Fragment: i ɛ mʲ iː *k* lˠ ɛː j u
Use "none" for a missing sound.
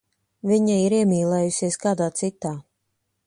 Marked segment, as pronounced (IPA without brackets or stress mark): none